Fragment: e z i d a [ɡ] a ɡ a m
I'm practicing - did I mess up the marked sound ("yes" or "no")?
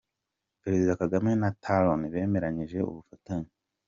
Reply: yes